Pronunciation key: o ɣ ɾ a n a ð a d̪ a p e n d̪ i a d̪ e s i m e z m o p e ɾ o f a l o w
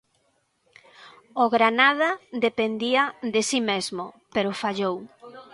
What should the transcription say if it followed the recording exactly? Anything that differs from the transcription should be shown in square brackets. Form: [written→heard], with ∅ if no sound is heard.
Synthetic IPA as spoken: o ɣ ɾ a n a ð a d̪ [a→e] p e n d̪ i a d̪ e s i m e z m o p e ɾ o f a [l→ʎ] o w